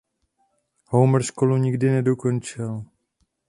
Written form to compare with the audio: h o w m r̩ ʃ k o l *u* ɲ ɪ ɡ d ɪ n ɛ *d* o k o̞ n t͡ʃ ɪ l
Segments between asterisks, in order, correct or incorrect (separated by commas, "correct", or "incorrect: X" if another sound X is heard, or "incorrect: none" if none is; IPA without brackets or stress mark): correct, correct